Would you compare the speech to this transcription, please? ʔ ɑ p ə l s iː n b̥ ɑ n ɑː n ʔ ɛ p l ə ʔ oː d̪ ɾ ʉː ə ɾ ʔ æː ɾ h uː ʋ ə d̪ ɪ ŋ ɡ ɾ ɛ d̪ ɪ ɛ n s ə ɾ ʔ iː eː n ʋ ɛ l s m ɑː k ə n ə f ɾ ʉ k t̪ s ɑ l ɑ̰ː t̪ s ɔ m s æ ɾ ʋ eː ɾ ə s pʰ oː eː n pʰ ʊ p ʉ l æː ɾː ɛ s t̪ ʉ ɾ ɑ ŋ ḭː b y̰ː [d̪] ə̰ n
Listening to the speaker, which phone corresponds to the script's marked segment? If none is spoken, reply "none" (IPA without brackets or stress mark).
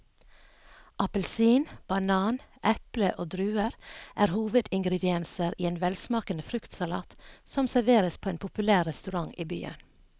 none